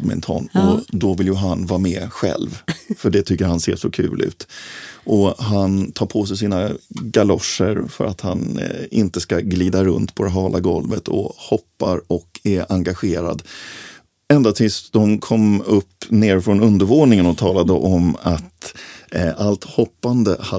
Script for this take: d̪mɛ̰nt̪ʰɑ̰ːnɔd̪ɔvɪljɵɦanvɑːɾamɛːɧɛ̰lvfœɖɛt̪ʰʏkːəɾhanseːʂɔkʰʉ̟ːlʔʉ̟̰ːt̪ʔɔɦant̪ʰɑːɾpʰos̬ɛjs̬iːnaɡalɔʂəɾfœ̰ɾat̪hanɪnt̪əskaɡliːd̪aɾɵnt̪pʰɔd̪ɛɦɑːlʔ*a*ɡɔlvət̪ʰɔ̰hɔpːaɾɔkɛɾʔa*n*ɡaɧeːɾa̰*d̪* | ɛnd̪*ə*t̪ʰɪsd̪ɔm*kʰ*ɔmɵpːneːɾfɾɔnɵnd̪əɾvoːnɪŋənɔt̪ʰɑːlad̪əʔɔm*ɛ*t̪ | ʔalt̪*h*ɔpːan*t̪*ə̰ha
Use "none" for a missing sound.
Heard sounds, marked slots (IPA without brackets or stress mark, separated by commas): a, ŋ, d̪, a, kʰ, a, h, d̪